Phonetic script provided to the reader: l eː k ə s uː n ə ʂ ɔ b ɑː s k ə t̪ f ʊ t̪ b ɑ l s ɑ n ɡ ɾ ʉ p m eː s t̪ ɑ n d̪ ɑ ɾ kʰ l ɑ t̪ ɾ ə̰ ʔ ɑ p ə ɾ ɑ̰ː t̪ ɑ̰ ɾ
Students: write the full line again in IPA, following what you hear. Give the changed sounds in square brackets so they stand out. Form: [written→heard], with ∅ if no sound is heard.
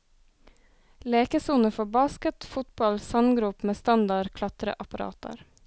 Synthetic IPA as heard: l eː k ə s uː n ə [ʂ→f] ɔ b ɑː s k ə t̪ f ʊ t̪ b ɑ l s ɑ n ɡ ɾ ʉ p m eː s t̪ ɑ n d̪ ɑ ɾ kʰ l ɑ t̪ ɾ ə̰ ʔ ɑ p [ə→ɑ] ɾ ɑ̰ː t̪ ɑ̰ ɾ

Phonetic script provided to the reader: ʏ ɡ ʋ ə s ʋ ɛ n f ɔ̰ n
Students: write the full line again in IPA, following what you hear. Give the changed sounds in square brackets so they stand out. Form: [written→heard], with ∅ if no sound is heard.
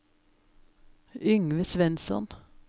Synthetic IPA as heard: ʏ [ɡ→ŋ] ʋ ə s ʋ ɛ n [f→s] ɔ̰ n

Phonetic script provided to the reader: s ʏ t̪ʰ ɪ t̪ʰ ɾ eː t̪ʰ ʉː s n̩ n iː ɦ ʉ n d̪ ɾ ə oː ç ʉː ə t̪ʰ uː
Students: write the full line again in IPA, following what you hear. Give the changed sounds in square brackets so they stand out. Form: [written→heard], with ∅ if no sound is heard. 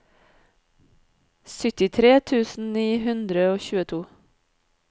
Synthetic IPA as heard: s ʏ [t̪ʰ→t̪] ɪ t̪ʰ ɾ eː t̪ʰ ʉː s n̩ n iː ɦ ʉ n d̪ ɾ ə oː ç ʉː ə t̪ʰ uː

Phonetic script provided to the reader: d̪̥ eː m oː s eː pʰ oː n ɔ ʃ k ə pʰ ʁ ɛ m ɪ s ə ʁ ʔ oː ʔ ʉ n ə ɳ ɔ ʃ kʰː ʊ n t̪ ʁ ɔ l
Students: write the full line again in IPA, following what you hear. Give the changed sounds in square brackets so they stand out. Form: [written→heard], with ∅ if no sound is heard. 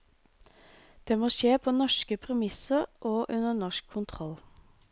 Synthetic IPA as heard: d̪̥ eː m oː [s→ʃ] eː pʰ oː n ɔ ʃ k ə pʰ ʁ ɛ m ɪ s ə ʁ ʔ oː ʔ ʉ n ə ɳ ɔ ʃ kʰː ʊ n [t̪→t̪ʰ] ʁ ɔ l

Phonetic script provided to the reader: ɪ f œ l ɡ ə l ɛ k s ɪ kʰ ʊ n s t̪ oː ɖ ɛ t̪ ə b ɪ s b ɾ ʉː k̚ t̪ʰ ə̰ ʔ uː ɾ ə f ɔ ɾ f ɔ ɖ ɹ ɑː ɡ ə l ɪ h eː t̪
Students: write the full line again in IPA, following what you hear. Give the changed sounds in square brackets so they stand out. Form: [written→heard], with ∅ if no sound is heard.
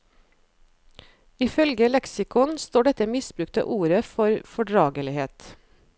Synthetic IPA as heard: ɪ f œ l ɡ ə l ɛ k s ɪ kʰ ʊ n s t̪ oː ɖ ɛ t̪ ə [b→m] ɪ s b ɾ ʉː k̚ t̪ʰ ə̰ ʔ uː ɾ ə f ɔ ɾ f ɔ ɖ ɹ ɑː ɡ ə l ɪ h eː t̪

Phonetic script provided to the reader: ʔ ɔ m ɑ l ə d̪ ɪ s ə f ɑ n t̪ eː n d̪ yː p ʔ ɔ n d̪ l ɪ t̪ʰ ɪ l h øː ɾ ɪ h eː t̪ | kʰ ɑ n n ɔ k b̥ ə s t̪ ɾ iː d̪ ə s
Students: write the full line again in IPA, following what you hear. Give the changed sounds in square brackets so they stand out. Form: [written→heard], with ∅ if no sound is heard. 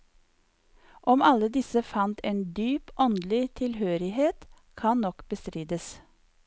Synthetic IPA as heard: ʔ ɔ m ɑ l ə d̪ ɪ s ə f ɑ n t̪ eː n d̪ yː p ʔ ɔ n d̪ l ɪ t̪ʰ ɪ l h øː ɾ ɪ h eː t̪ | kʰ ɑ n n ɔ k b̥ ə s t̪ ɾ iː d̪ ə s

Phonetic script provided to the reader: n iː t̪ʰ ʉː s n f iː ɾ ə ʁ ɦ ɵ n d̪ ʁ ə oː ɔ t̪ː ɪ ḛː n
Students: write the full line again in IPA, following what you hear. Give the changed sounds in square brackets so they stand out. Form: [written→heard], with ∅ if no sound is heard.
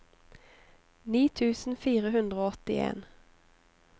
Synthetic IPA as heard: n iː t̪ʰ ʉː s n f iː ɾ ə [ʁ→∅] ɦ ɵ n d̪ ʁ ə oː ɔ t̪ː ɪ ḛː n

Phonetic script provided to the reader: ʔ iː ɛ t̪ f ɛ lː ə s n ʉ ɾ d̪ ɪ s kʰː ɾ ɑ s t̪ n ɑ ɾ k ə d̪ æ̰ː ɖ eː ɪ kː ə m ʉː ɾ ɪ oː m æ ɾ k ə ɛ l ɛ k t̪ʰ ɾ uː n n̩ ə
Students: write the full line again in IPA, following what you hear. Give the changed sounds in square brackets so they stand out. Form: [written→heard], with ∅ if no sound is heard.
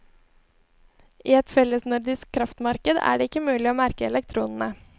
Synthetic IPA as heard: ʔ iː ɛ t̪ f ɛ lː ə s n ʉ ɾ d̪ ɪ s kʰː ɾ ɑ [s→f] t̪ [n→m] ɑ ɾ k ə d̪ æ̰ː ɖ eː ɪ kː ə m ʉː [ɾ→l] ɪ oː m æ ɾ k ə ɛ l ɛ k t̪ʰ ɾ uː n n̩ ə

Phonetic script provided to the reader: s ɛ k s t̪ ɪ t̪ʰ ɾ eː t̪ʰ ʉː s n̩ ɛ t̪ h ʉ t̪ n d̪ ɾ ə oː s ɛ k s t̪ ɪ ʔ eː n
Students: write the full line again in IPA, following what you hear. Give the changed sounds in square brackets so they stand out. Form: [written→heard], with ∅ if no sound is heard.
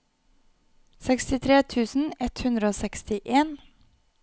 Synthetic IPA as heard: s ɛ k s t̪ ɪ t̪ʰ ɾ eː t̪ʰ ʉː s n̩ ɛ t̪ h ʉ [t̪→∅] n d̪ ɾ ə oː s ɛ k s t̪ ɪ ʔ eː n

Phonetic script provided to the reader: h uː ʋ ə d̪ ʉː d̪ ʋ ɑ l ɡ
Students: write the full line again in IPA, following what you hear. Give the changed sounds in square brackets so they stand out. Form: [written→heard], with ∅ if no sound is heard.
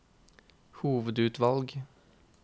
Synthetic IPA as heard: h uː ʋ ə d̪ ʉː [d̪→t̪] ʋ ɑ l ɡ

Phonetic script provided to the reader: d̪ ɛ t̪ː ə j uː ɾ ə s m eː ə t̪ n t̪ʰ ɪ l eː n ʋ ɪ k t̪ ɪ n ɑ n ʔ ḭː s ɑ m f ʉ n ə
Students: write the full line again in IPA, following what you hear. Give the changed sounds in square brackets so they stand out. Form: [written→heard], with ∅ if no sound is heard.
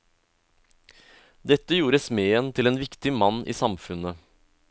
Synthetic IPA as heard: d̪ ɛ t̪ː ə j uː ɾ ə s m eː ə [t̪→∅] n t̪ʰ ɪ l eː n ʋ ɪ k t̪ ɪ [n→m] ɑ n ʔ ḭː s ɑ m f ʉ n ə

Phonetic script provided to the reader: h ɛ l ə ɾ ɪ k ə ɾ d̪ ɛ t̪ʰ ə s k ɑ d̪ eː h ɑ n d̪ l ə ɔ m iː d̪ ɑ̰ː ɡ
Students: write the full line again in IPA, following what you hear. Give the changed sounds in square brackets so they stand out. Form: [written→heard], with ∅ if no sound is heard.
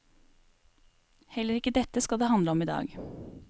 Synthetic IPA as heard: h ɛ l ə ɾ ɪ k ə [ɾ→∅] d̪ ɛ [t̪ʰ→t̪] ə s k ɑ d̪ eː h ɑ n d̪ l ə ɔ m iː d̪ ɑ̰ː ɡ

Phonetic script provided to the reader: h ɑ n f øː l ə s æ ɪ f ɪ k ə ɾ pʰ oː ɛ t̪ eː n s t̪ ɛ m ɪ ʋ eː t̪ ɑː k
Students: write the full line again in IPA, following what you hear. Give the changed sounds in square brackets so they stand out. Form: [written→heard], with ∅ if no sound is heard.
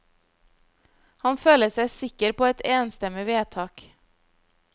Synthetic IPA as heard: h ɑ n f øː l ə s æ ɪ [f→s] ɪ k ə ɾ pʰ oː ɛ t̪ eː n s t̪ ɛ m ɪ ʋ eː [t̪→t̪ʰ] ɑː k

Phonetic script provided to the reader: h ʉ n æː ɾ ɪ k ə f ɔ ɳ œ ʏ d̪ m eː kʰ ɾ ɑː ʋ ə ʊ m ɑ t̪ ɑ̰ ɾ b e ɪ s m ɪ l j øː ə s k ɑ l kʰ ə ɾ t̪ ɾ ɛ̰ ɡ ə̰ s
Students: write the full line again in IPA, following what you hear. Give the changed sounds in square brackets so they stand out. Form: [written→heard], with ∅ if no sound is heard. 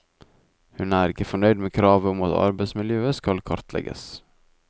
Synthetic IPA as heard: h ʉ n æː ɾ ɪ k ə f ɔ ɳ œ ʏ d̪ m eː kʰ ɾ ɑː ʋ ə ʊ m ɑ t̪ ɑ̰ ɾ b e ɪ s m ɪ l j øː ə s k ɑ l kʰ [ə→ɑ] ɾ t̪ [ɾ→l] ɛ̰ ɡ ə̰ s

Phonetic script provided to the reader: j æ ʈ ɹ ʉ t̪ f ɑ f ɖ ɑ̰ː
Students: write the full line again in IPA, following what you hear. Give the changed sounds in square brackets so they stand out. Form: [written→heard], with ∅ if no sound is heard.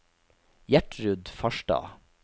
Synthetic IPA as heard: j æ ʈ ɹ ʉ [t̪→d̪] f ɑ [f→ʃ] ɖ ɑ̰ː

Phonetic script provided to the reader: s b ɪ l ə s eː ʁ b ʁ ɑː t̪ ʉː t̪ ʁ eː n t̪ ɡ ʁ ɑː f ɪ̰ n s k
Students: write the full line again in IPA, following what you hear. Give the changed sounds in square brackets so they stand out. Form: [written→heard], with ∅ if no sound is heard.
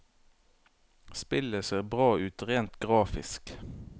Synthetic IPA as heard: s [b→p] ɪ l ə s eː ʁ b ʁ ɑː [t̪→∅] ʉː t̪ ʁ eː n t̪ ɡ ʁ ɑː f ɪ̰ [n→∅] s k

